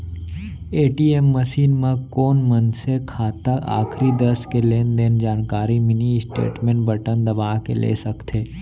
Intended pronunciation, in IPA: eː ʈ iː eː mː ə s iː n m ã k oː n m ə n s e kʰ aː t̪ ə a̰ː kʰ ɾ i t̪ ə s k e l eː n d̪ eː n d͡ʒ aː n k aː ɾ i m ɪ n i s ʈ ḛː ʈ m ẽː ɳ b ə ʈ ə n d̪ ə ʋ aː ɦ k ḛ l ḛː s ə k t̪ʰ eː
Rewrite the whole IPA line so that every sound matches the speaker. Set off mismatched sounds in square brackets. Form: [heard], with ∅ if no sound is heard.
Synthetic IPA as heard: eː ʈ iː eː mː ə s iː n m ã k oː n m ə n s e kʰ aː t̪ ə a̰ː kʰ ɾ i [d̪] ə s k e l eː n d̪ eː n d͡ʒ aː n k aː ɾ i m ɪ n i s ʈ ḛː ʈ m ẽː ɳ b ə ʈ ə n d̪ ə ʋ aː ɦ k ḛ l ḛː s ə k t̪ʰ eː